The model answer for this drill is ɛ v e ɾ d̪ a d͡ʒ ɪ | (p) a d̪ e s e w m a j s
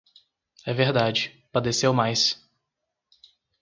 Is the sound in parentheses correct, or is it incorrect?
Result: correct